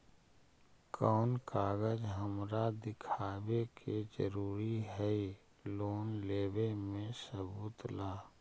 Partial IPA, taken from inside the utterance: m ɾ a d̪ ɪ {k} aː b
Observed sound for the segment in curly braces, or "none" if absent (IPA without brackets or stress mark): kʰ